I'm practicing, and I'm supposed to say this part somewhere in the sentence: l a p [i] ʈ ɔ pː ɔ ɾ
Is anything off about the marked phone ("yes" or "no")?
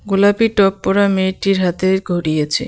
no